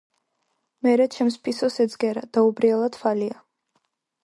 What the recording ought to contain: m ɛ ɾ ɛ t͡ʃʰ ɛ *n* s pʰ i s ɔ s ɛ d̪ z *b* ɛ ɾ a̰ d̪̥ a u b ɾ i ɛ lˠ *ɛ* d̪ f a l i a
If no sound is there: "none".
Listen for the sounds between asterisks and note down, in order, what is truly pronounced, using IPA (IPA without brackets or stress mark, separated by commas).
m, ɡ, a